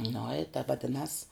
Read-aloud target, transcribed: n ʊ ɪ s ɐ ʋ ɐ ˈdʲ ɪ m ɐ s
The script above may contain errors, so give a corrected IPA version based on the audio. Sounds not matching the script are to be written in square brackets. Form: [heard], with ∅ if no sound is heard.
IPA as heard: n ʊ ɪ [t] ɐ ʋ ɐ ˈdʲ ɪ [n] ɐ s